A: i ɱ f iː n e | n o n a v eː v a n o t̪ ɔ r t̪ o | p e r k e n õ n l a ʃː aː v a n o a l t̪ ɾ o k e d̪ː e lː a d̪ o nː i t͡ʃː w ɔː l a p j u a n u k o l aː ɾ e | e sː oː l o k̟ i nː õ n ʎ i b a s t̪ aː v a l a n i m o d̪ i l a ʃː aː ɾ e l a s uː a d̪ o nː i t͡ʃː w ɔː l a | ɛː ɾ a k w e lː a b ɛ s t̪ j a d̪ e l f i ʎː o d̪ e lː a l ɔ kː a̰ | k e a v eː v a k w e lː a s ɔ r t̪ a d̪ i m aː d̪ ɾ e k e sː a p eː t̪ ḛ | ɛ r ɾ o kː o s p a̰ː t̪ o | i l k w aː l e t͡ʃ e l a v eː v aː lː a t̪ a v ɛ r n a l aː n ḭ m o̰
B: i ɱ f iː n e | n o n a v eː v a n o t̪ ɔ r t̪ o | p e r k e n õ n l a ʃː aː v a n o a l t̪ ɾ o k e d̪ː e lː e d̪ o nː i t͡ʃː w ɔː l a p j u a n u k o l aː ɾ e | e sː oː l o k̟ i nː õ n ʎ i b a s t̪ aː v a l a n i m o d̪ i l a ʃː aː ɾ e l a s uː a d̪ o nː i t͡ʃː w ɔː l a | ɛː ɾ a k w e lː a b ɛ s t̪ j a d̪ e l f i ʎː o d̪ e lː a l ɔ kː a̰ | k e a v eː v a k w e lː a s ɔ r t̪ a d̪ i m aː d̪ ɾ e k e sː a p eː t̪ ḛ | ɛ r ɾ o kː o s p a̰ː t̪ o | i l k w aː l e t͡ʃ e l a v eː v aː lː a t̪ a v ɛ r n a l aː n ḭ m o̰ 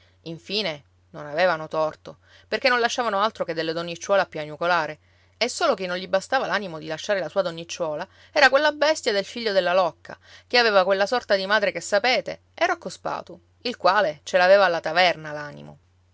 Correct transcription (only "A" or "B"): B